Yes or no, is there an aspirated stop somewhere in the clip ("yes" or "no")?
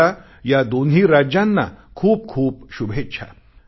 yes